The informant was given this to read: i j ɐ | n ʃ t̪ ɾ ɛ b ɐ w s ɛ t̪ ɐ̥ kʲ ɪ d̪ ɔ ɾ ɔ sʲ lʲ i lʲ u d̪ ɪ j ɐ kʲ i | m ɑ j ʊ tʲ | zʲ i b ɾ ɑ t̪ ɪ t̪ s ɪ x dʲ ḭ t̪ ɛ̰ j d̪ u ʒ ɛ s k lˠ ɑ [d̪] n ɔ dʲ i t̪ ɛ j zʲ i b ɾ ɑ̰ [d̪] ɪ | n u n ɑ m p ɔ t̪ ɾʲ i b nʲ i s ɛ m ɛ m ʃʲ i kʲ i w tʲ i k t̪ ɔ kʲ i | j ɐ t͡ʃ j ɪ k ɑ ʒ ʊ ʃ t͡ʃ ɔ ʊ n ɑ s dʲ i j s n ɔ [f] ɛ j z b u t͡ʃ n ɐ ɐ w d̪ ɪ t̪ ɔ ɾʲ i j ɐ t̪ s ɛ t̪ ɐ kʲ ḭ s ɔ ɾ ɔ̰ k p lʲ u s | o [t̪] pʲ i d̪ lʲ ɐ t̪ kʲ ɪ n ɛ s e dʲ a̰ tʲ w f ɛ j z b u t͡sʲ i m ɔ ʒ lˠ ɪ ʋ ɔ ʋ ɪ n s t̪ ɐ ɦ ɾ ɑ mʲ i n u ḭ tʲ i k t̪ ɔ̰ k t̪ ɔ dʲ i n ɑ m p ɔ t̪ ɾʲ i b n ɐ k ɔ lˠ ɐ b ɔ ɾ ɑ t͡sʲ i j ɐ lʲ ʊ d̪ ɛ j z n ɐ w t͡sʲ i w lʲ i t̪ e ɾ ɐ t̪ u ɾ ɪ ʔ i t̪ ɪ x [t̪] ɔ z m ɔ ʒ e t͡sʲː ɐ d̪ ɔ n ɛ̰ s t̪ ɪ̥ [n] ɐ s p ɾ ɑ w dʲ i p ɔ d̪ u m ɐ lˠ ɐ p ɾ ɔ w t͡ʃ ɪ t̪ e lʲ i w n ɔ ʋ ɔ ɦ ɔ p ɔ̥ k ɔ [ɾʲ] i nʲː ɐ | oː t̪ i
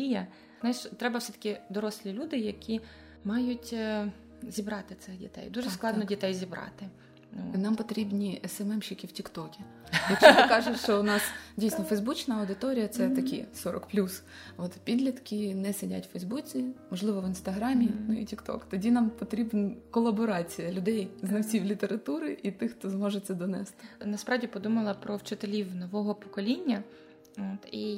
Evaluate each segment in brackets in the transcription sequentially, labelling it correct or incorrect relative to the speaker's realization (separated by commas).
correct, incorrect, correct, correct, correct, correct, incorrect